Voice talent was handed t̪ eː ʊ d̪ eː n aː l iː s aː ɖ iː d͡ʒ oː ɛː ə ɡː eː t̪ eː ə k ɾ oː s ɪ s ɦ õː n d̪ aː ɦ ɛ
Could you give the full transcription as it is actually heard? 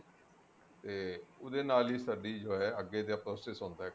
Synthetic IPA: t̪ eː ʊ d̪ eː n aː l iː s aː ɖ iː d͡ʒ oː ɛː ə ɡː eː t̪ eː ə p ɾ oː s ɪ s ɦ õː n d̪ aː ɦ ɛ